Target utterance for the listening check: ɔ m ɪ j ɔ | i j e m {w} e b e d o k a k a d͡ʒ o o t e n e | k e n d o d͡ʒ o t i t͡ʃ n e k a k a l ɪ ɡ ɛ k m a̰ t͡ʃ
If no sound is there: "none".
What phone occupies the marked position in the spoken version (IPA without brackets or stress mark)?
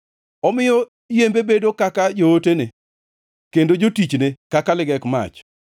b